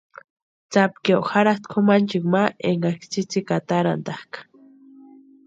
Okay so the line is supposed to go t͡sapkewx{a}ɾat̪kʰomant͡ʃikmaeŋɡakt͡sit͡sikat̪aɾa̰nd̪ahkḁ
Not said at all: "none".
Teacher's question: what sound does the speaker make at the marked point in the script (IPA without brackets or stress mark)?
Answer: a